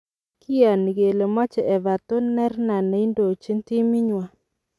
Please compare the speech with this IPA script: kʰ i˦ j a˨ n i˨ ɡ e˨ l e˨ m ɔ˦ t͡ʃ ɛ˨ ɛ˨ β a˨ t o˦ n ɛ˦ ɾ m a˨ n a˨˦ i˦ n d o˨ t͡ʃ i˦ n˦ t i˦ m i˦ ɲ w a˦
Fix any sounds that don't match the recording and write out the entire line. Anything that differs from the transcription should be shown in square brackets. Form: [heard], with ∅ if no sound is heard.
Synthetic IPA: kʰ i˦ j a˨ n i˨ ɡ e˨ l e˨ m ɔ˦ t͡ʃ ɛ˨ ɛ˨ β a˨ t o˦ n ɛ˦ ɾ [n] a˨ n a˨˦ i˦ n d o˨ t͡ʃ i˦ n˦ t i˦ m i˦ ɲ w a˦